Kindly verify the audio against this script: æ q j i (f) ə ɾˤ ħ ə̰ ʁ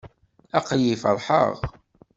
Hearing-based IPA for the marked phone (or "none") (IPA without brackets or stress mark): f